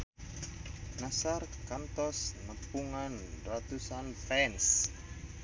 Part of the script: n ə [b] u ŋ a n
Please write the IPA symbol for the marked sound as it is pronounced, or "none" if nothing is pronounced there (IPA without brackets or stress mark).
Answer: p